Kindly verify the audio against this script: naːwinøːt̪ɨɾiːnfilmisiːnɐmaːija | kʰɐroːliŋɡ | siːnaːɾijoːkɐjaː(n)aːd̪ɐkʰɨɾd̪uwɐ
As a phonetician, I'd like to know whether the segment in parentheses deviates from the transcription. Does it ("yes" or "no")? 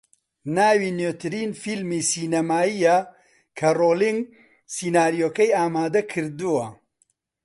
yes